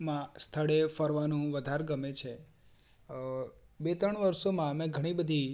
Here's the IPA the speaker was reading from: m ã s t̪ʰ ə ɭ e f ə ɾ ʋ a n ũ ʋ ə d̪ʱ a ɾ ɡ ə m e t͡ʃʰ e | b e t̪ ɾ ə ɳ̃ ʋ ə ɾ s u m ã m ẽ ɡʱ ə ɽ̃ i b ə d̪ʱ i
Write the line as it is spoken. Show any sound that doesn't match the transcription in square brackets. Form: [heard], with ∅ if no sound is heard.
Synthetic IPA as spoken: m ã s t̪ʰ ə ɭ e f ə ɾ ʋ a n ũ ʋ ə d̪ʱ a ɾ ɡ ə m e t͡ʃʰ e | b e t̪ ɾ ə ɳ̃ ʋ ə ɾ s [o] m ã m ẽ ɡʱ ə ɽ̃ i b ə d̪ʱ i